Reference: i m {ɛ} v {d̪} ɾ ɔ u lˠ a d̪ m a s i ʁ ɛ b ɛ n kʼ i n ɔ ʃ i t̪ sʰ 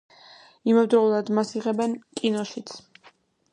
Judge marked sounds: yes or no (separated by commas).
yes, yes